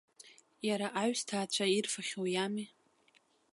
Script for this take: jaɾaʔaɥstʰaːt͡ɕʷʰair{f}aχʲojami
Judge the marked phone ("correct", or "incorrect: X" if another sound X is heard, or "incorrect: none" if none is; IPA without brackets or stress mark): correct